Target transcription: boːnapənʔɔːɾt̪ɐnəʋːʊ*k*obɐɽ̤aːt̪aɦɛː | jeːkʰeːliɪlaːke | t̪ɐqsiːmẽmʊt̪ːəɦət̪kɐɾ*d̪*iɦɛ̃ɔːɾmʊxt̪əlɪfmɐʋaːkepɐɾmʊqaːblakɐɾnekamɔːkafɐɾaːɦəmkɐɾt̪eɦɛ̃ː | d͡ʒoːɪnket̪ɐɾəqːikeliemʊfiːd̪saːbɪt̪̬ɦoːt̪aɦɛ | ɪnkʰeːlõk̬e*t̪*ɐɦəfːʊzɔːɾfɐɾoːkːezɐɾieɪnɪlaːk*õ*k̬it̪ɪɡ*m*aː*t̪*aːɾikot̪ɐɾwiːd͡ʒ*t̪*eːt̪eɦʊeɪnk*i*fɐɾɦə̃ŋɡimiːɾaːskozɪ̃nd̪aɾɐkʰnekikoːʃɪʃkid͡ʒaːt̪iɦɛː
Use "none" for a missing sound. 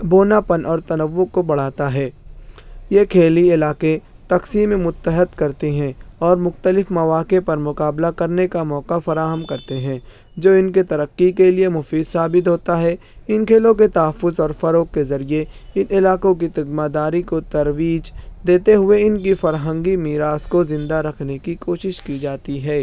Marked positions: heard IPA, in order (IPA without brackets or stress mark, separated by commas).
k, t̪, t̪, õ, m, d̪, d̪, i